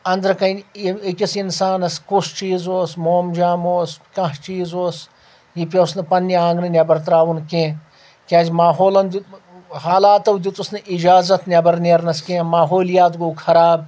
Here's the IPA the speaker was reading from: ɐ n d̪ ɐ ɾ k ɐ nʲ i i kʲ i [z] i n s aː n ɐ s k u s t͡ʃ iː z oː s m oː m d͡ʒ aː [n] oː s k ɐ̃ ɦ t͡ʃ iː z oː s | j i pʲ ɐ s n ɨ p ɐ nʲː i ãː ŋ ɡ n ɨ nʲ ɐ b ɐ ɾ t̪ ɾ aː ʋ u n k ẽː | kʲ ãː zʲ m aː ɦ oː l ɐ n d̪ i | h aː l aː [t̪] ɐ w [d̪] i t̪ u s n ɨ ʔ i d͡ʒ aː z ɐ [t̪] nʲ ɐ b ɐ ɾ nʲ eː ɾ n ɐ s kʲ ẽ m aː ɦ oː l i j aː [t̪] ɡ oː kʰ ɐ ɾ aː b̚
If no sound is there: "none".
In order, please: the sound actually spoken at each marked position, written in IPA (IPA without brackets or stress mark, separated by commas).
s, m, t̪, d̪, t̪, t̪